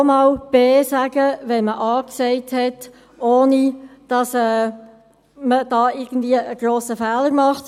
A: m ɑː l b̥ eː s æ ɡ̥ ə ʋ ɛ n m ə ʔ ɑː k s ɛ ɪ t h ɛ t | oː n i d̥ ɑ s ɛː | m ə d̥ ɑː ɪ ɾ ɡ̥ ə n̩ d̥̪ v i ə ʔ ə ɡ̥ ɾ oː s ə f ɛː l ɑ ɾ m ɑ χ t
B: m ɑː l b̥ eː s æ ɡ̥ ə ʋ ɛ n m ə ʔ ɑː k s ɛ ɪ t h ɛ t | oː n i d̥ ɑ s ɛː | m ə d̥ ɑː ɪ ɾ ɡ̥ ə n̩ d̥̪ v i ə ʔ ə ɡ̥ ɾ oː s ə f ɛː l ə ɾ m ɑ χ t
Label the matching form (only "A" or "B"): B